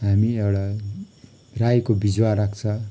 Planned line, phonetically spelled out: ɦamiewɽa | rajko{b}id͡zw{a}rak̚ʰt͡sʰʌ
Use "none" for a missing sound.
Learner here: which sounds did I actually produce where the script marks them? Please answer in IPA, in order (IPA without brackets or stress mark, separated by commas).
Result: b, a